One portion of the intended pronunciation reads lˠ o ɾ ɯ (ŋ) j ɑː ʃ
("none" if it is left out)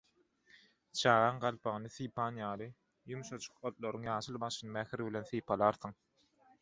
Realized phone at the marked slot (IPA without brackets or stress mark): ŋ